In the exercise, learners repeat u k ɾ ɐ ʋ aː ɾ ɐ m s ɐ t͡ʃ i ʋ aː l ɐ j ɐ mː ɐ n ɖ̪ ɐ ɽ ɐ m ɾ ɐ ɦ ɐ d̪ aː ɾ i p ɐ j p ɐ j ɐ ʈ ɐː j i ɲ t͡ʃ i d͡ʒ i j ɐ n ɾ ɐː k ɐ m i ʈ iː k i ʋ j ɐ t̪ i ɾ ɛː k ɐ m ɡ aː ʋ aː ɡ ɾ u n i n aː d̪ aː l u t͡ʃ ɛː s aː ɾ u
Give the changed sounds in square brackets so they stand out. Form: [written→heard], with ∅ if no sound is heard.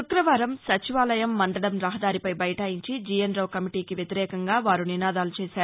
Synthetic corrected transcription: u k ɾ ɐ ʋ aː ɾ ɐ m s ɐ t͡ʃ i ʋ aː l ɐ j ɐ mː ɐ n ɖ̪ ɐ ɽ ɐ m ɾ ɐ ɦ ɐ d̪ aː ɾ i p ɐ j [p→b] ɐ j ɐ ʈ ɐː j i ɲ t͡ʃ i d͡ʒ i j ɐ n ɾ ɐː k ɐ m i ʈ iː k i ʋ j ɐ t̪ i ɾ ɛː k ɐ [m→ŋ] ɡ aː ʋ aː [ɡ→∅] ɾ u n i n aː d̪ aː l u t͡ʃ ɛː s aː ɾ u